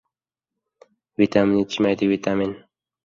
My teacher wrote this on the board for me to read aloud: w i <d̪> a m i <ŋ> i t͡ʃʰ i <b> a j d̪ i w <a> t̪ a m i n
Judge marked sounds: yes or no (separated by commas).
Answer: no, no, no, no